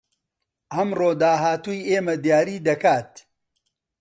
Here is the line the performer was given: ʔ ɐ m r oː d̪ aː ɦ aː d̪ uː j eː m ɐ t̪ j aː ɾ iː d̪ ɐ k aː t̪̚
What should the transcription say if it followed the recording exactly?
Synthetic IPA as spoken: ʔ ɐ m r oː d̪ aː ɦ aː t̪ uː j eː m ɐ d̪ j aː ɾ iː d̪ ɐ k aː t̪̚